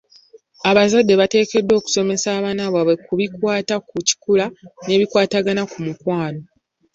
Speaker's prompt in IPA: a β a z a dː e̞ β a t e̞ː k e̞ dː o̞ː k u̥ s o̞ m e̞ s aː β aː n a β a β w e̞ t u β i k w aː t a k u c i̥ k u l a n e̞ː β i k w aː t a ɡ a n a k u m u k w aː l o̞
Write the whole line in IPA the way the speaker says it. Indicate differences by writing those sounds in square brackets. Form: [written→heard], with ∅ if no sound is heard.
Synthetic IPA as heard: a β a z a dː e̞ β a t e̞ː k e̞ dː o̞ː k u̥ s o̞ m e̞ s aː β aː n a β a β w e̞ [t→k] u β i k w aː t a k u c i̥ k u l a n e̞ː β i k w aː t a ɡ a n a k u m u k w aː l o̞